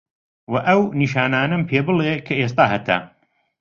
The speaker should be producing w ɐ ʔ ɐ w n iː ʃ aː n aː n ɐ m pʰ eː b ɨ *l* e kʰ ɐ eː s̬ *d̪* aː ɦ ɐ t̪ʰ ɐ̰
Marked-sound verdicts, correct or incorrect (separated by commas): correct, incorrect